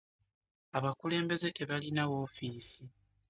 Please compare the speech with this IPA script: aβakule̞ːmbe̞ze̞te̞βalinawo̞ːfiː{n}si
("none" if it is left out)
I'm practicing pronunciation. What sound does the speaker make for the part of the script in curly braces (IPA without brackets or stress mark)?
none